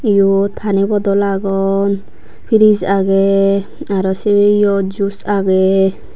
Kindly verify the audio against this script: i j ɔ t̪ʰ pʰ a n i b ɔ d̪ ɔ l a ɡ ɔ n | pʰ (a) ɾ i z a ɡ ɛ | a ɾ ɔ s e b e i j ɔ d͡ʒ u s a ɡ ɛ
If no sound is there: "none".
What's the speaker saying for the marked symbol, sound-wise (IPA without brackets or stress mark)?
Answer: i